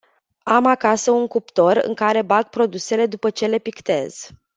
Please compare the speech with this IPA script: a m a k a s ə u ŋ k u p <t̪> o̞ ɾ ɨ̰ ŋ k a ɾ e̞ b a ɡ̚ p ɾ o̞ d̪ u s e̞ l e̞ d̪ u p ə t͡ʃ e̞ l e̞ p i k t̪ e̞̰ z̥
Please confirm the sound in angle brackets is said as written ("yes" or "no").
yes